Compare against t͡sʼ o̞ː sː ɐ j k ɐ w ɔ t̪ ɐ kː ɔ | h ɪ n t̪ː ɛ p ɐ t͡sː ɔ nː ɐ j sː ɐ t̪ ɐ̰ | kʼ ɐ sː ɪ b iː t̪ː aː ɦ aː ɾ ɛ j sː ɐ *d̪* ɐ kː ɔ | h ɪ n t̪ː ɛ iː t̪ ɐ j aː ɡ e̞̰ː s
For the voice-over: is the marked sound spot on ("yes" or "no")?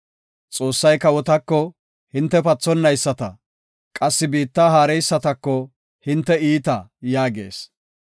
no